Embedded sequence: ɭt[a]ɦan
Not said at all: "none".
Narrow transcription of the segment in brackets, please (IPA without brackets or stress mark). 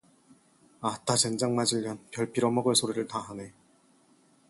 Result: a